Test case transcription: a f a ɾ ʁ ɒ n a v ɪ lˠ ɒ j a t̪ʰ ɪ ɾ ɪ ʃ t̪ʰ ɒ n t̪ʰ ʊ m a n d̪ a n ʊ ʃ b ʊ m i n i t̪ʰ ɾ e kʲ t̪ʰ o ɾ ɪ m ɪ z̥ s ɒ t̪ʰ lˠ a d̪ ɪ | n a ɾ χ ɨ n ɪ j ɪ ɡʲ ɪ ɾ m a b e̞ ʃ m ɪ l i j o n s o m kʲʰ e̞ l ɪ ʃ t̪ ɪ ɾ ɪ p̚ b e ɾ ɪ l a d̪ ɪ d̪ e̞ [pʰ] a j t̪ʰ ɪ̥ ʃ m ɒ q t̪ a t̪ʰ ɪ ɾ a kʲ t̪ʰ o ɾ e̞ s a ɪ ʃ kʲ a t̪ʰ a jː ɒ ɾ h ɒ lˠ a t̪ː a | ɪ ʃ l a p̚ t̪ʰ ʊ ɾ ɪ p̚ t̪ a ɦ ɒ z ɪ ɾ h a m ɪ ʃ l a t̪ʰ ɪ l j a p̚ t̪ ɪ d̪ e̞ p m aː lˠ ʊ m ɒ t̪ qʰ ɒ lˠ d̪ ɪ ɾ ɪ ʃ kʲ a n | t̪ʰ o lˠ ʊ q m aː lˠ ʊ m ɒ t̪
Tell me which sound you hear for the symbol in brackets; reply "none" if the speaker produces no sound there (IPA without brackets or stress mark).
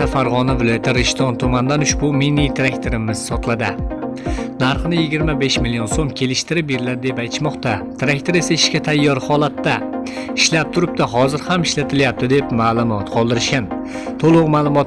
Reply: p